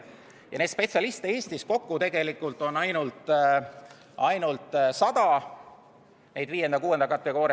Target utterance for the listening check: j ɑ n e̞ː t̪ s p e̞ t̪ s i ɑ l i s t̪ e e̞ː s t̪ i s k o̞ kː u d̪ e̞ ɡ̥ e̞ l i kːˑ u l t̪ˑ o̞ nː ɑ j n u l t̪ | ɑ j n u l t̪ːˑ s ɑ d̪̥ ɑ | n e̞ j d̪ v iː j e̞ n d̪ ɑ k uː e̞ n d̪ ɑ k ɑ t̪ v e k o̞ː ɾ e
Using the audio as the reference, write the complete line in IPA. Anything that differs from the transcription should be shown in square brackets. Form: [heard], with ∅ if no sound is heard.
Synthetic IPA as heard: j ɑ n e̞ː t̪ s p e̞ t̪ s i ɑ l i s t̪ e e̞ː s t̪ i s k o̞ kː u [t̪] e̞ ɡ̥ e̞ l i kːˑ u l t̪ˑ o̞ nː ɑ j n u l t̪ | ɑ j n u l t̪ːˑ s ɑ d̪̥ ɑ | n e̞ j d̪ v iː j e̞ n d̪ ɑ k uː e̞ n d̪ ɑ k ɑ t̪ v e k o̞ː ɾ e